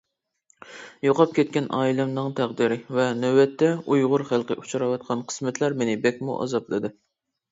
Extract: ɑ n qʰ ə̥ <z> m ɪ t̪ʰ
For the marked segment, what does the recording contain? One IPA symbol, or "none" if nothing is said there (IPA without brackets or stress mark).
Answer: s